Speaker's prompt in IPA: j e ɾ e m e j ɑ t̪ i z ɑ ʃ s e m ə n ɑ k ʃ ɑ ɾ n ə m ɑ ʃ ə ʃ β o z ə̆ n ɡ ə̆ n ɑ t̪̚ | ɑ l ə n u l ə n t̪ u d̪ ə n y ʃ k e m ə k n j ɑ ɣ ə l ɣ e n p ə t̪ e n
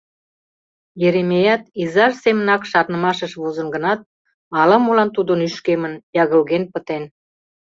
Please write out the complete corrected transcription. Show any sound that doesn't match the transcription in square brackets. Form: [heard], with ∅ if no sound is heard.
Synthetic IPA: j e ɾ e m e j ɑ t̪ i z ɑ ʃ s e m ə n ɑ k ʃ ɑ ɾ n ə m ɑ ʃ ə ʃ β o z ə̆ n ɡ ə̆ n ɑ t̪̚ | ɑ l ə [m] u l [ɑ] n t̪ u d̪ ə n y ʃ k e m ə [∅] n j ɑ ɣ ə l ɣ e n p ə t̪ e n